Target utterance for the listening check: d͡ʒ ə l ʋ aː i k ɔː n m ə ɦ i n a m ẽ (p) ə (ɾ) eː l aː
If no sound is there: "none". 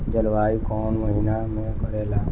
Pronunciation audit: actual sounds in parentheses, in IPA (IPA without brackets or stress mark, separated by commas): k, ɾ